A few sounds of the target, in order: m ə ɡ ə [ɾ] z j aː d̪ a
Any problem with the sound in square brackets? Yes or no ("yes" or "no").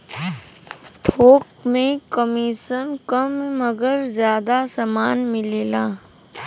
no